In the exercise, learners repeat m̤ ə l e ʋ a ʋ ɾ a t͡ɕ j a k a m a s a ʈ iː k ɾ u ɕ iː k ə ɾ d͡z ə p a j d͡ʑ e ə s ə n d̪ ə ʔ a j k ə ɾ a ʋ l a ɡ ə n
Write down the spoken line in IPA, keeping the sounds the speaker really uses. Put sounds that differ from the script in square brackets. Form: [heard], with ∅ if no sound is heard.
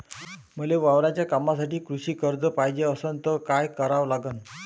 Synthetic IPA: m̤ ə l e ʋ a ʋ ɾ a t͡ɕ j a k a m a s a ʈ iː k ɾ u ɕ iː k ə ɾ d͡z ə p a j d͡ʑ e ə s ə n [t̪] ə [k] a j k ə ɾ a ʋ l a ɡ ə n